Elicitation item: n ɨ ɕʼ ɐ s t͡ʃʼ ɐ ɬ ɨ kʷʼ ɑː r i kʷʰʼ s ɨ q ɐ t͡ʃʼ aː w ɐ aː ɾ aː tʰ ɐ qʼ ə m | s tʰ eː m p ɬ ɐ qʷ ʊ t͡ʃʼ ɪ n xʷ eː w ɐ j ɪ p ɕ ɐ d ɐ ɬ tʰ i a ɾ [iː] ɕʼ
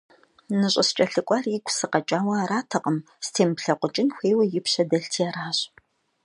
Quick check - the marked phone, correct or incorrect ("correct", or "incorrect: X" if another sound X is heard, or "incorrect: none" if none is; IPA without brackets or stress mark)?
incorrect: aː